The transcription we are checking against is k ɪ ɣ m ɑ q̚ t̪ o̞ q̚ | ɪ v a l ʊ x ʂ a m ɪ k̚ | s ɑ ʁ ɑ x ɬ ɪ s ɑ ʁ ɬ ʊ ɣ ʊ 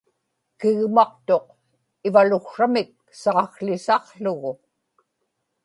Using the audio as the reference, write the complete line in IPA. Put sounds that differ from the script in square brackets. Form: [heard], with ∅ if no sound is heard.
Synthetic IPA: k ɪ ɣ m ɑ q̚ t̪ o̞ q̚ | ɪ v a l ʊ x ʂ a m ɪ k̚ | s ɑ ʁ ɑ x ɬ ɪ s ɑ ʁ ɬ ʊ ɣ ʊ